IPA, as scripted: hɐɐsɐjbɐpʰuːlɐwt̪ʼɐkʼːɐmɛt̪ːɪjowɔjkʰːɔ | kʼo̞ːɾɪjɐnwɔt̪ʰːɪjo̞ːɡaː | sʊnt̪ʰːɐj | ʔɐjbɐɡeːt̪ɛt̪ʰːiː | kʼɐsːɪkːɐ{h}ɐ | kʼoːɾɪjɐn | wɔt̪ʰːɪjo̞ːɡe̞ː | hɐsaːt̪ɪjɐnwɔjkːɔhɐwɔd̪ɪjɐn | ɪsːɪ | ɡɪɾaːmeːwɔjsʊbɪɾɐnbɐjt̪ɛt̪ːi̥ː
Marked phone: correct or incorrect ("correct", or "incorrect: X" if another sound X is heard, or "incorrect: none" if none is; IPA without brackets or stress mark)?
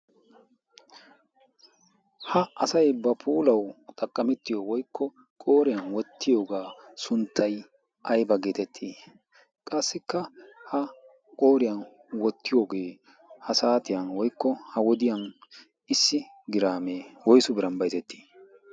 correct